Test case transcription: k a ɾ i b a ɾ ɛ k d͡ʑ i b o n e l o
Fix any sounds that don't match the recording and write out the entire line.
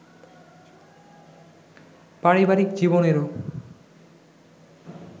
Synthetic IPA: p a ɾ i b a ɾ i k d͡ʑ i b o n e ɾ o